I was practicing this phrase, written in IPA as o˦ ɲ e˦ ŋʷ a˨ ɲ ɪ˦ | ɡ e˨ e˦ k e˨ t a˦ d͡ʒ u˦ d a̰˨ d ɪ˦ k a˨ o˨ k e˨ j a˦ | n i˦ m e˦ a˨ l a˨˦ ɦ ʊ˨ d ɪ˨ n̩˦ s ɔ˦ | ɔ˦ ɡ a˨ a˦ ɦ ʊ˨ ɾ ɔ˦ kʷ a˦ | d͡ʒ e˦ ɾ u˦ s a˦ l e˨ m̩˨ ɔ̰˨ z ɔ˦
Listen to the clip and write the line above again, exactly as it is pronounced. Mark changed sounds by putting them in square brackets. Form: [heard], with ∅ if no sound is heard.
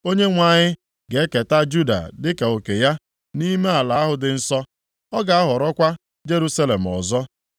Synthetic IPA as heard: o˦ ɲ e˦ ŋʷ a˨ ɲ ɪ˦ | ɡ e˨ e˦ k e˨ t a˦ d͡ʒ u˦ d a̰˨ d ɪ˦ k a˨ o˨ k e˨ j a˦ | n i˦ m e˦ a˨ l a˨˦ ɦ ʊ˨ d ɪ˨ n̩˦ s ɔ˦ | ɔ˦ ɡ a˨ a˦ ɦ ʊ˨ ɾ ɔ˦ kʷ a˦ | d͡ʒ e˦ ɾ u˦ s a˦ l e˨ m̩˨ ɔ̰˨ z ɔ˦